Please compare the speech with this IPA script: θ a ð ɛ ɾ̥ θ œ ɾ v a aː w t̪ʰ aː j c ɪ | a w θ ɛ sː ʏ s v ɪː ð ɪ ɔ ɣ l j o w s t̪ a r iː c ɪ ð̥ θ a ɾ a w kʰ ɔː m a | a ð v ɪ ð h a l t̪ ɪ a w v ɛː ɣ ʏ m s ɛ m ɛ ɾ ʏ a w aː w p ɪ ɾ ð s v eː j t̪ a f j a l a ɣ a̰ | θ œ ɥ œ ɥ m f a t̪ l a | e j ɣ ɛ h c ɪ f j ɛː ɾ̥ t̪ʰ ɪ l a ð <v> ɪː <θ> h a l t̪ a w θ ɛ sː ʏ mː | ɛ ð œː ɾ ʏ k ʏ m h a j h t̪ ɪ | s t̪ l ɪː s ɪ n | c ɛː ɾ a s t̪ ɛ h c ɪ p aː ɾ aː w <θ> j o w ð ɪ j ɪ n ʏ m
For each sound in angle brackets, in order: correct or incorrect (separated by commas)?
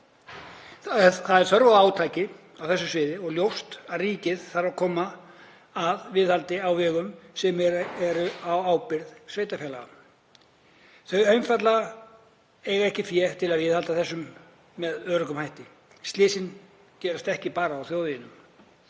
correct, incorrect, correct